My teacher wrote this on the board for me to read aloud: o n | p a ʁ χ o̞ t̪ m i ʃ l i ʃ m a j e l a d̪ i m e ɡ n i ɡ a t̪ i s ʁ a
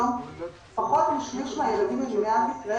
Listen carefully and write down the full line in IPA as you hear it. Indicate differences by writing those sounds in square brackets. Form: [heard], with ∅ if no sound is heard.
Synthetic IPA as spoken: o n | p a [∅] χ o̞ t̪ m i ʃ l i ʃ m a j e l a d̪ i m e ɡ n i [∅] a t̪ i s ʁ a